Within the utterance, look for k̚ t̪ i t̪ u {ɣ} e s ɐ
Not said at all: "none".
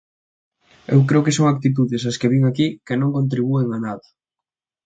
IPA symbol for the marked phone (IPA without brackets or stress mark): ð